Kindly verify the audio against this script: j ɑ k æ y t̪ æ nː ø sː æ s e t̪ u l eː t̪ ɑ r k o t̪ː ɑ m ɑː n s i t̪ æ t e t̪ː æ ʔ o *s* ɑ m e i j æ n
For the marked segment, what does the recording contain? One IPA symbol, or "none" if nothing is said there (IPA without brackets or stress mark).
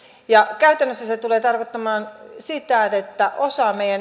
s